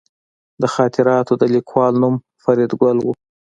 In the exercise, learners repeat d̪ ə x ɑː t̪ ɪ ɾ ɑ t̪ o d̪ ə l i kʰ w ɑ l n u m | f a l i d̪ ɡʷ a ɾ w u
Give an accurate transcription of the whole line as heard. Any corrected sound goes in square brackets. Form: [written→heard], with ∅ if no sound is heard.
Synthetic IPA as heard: d̪ ə x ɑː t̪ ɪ ɾ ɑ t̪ o d̪ ə l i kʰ w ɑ l n u m | f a [l→ɾ] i d̪ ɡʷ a [ɾ→l] w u